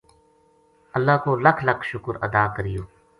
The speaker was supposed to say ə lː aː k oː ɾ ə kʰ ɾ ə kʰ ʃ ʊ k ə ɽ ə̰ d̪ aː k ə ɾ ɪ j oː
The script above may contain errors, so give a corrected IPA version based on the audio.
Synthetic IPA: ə lː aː k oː l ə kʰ l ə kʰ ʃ ʊ k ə ɾ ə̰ d̪ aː k ə ɾ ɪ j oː